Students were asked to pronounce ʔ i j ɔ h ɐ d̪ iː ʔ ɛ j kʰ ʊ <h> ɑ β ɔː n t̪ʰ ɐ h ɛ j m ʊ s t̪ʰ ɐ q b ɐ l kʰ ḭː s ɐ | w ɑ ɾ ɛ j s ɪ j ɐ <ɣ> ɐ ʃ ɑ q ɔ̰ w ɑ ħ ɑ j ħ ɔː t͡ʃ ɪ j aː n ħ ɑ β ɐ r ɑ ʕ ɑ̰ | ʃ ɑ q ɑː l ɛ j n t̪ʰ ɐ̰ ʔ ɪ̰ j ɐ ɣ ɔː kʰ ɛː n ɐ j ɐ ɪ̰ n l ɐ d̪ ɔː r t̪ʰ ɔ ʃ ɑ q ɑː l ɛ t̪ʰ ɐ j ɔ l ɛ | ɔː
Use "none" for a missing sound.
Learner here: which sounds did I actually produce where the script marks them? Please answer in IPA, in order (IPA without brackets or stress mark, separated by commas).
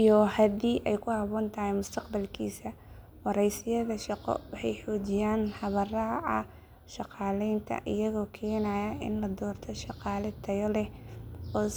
h, ð